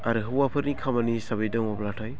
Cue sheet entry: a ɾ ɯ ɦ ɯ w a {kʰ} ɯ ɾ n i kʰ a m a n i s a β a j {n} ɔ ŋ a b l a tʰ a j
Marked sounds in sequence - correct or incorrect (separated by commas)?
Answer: incorrect, incorrect